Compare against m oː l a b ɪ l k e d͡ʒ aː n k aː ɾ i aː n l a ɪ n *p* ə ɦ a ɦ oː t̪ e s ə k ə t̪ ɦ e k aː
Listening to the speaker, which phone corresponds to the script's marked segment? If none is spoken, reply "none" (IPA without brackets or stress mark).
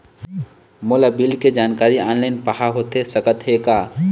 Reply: p